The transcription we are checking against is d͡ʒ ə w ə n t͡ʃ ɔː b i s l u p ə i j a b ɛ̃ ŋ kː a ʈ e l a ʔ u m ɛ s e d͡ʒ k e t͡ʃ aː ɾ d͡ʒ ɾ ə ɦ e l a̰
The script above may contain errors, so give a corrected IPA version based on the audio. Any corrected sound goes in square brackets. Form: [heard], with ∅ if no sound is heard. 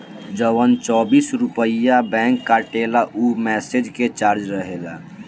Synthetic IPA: d͡ʒ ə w ə n t͡ʃ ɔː b i s [ɾ] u p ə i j a b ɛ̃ ŋ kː a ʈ e l a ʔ u m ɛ s e d͡ʒ k e t͡ʃ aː ɾ d͡ʒ ɾ ə ɦ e l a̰

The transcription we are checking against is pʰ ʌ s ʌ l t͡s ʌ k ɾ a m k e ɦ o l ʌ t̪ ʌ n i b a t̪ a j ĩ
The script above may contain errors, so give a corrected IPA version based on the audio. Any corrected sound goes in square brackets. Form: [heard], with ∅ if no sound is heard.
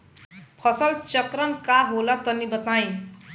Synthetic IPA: pʰ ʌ s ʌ l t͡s ʌ k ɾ [ʌ] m k [a] ɦ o l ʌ t̪ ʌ n i b [ʌ] t̪ a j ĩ

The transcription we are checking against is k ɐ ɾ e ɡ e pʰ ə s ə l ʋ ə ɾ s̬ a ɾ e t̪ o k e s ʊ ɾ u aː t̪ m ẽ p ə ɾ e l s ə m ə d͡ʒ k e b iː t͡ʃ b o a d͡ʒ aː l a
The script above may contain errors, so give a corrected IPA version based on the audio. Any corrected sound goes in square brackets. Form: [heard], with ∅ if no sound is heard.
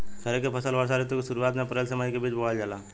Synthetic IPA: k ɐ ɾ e [k] e pʰ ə s ə l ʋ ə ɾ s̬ a ɾ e t̪ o k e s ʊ ɾ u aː t̪ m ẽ p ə ɾ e l s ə m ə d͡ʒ k e b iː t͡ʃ b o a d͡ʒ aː l a

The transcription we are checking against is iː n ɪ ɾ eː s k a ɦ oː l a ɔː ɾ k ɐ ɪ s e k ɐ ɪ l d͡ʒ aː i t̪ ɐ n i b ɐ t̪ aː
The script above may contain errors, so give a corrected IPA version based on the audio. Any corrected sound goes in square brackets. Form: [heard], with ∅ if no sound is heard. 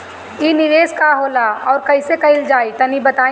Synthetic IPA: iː n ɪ ɾ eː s k a ɦ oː l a ɔː ɾ k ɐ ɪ s e k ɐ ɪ l d͡ʒ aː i t̪ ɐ n i b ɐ t̪ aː

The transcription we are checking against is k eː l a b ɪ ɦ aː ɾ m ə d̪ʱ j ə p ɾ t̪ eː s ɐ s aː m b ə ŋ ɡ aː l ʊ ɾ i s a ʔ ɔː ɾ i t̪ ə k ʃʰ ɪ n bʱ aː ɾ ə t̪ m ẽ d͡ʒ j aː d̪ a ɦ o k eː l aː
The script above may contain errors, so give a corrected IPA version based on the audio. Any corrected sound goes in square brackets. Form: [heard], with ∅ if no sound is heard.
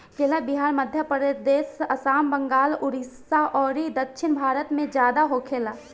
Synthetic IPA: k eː l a b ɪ ɦ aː ɾ m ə d̪ʱ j ə p ɾ [d̪] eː s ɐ s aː m b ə ŋ ɡ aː l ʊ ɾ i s a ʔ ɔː ɾ i [d̪] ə k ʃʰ ɪ n bʱ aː ɾ ə t̪ m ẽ d͡ʒ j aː d̪ a ɦ o [kʰ] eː l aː

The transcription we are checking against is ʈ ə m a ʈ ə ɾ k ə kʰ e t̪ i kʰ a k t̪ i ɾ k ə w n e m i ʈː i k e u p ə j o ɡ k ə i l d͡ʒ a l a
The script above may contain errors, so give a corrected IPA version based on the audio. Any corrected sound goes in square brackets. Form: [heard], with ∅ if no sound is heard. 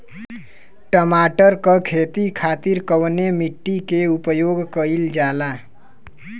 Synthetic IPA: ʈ ə m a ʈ ə ɾ k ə kʰ e t̪ i kʰ a [∅] t̪ i ɾ k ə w n e m i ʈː i k e u p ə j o ɡ k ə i l d͡ʒ a l a

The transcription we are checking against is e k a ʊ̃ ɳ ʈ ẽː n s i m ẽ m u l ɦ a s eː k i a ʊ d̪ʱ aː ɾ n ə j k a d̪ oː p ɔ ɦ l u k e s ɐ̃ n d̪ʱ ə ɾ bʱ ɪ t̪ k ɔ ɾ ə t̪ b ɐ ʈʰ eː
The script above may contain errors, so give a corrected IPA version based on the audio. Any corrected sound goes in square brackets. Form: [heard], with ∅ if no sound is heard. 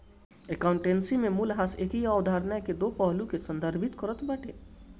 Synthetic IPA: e k a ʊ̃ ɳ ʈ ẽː n s i m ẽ m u l ɦ a s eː k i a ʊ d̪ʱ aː ɾ n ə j k [e] d̪ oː p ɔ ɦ l u k e s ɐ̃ n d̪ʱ ə ɾ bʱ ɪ t̪ k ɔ ɾ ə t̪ b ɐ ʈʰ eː

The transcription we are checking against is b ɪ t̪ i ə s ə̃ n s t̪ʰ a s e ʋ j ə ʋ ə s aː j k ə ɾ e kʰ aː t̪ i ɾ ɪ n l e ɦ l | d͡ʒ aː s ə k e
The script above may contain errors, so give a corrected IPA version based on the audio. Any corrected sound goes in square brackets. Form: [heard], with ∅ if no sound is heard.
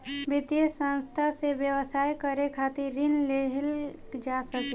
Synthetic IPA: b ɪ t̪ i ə s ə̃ n s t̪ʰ a s e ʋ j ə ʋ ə s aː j k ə ɾ e kʰ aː t̪ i ɾ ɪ n l e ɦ l | d͡ʒ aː s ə k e

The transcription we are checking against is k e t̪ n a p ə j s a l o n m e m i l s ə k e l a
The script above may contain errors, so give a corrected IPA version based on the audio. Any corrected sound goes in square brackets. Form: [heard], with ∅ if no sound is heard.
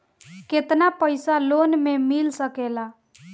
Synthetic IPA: k e t̪ n a p ə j s a l o n m e m i l s ə k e l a

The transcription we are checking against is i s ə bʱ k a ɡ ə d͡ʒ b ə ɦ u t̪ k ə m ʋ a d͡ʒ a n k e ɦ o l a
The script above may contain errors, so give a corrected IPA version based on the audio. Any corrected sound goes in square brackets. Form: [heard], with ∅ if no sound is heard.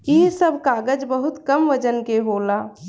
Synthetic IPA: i s ə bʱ k a ɡ ə d͡ʒ b ə ɦ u t̪ k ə m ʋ [ə] d͡ʒ [ə] n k e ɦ o l a

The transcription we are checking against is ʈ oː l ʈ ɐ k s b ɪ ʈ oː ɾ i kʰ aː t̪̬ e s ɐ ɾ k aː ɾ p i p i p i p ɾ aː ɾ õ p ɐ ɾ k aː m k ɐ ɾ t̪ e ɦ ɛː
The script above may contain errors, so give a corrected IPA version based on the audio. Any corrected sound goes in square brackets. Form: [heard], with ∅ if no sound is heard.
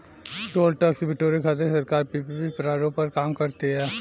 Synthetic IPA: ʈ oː l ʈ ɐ k s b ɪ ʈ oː ɾ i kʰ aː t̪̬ e s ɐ ɾ k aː ɾ p i p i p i p ɾ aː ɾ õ p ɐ ɾ k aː m k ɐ ɾ t̪ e ɦ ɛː

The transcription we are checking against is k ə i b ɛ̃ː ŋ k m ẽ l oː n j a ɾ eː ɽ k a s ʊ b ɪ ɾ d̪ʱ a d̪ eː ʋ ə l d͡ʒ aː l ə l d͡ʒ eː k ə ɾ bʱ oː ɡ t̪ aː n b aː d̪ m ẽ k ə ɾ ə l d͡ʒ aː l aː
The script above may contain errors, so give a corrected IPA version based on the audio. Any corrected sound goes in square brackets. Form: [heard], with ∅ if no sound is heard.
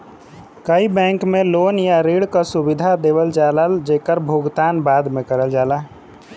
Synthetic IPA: k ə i b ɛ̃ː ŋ k m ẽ l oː n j a ɾ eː ɽ k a s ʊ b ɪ [∅] d̪ʱ a d̪ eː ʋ ə l d͡ʒ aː l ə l d͡ʒ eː k ə ɾ bʱ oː ɡ t̪ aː n b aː d̪ m ẽ k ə ɾ ə l d͡ʒ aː l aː

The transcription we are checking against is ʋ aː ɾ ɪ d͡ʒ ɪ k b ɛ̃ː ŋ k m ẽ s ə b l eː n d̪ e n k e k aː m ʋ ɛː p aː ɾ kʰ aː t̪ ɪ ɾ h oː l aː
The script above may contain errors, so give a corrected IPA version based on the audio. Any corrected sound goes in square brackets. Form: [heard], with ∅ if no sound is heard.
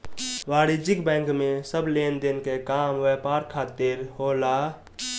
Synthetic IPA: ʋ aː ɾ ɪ d͡ʒ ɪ k b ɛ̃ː ŋ k m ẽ s ə b l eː n d̪ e n k e k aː m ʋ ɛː p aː ɾ kʰ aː t̪ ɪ ɾ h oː l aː

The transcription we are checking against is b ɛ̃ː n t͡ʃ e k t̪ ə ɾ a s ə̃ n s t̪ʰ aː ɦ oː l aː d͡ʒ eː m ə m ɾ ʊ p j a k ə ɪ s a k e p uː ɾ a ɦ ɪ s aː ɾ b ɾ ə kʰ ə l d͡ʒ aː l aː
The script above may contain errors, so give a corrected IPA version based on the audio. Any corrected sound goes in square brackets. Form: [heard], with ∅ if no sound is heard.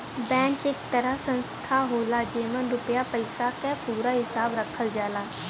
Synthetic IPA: b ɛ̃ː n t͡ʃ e k t̪ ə ɾ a s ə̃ n s t̪ʰ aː ɦ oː l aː d͡ʒ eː m ə [n] ɾ ʊ p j a [p] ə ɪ s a k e p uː ɾ a ɦ ɪ s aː [∅] b ɾ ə kʰ ə l d͡ʒ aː l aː

